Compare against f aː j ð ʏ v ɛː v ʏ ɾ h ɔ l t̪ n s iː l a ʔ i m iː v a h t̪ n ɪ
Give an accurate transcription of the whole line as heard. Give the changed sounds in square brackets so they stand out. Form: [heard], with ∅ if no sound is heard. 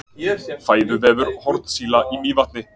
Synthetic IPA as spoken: f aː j ð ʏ v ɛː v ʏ ɾ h ɔ [ɾ] t̪ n s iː l a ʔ i m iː v a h t̪ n ɪ

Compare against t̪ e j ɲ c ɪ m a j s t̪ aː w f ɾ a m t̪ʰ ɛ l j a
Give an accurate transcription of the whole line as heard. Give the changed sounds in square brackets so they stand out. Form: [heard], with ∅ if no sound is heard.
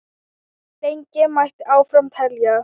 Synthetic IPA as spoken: t̪ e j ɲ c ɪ m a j [h] t̪ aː w f ɾ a m t̪ʰ ɛ l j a

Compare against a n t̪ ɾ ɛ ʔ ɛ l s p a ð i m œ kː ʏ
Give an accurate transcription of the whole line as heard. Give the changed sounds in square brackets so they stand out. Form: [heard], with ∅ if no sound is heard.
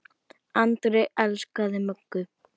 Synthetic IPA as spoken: a n t̪ ɾ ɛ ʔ ɛ l s [k] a ð [ɪ] m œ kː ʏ

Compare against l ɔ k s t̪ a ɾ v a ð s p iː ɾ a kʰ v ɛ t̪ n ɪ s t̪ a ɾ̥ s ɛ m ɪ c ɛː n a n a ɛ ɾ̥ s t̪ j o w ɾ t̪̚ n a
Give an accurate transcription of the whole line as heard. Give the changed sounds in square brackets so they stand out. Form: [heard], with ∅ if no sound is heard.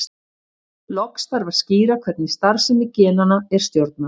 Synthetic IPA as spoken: l ɔ k s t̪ a ɾ v a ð s [c] iː ɾ a kʰ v ɛ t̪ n ɪ s t̪ a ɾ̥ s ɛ m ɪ c ɛː n a n a ɛ ɾ̥ s t̪ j o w ɾ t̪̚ n a

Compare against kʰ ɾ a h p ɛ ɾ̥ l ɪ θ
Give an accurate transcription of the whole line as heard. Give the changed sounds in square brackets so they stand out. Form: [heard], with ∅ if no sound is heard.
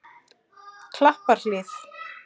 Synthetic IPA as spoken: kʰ [l] a h p [a] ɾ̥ l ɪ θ

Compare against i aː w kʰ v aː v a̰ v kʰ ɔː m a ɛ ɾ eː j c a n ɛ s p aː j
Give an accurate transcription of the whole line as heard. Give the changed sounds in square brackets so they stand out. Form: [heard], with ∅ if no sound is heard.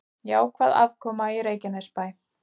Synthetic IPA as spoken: [j] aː w kʰ v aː [ð] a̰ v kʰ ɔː m a [i] ɾ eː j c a n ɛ s p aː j

